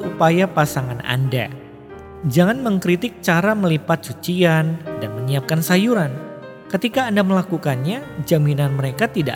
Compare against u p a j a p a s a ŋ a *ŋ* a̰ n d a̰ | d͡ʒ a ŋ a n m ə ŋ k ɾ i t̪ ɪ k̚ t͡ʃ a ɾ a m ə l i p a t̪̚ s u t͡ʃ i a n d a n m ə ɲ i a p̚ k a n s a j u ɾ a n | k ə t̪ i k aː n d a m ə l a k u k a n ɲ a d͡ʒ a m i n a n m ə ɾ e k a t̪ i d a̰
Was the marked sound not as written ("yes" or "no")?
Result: yes